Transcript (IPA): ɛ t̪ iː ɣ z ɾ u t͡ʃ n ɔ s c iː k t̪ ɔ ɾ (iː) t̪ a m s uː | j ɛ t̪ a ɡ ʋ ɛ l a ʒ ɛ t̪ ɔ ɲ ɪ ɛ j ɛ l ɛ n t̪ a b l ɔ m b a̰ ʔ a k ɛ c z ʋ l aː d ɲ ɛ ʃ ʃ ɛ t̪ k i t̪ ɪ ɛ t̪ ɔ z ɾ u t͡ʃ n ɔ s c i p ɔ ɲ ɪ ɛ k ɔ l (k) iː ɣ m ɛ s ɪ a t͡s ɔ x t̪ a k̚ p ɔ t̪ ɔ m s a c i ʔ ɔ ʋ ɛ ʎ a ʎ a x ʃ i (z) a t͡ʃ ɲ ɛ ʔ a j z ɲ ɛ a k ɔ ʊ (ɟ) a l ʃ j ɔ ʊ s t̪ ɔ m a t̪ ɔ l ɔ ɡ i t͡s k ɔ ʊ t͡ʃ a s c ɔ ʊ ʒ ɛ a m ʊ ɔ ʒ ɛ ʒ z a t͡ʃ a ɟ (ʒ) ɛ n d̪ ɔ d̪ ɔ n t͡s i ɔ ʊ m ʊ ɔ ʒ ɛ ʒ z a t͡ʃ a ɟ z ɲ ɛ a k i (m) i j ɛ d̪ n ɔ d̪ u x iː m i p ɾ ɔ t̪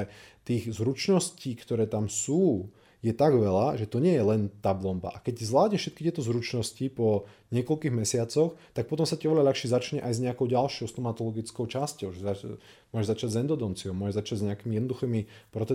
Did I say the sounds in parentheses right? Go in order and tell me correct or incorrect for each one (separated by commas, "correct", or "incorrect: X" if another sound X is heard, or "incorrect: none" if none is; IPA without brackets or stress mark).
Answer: incorrect: ɛː, correct, correct, correct, incorrect: z, correct